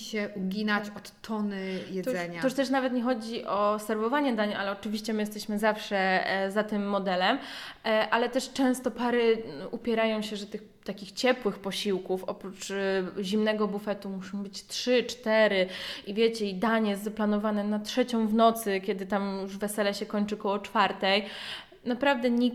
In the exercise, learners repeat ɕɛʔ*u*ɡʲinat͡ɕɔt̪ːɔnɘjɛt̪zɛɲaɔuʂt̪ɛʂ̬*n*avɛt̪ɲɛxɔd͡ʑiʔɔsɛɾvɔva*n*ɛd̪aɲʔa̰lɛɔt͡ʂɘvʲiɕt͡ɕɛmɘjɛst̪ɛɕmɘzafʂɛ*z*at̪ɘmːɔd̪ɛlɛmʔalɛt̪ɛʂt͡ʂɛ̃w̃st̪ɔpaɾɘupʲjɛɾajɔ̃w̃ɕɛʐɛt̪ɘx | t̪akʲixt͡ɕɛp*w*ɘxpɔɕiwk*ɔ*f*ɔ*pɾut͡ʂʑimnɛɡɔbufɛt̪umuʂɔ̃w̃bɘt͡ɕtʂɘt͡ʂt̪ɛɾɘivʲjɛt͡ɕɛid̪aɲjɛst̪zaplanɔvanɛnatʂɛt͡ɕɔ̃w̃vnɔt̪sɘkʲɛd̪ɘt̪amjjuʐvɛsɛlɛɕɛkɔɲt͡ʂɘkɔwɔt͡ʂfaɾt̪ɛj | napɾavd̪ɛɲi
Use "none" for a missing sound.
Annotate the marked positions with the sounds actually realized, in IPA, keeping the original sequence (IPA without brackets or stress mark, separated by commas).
u, n, ɲ, z, w, u, ɔ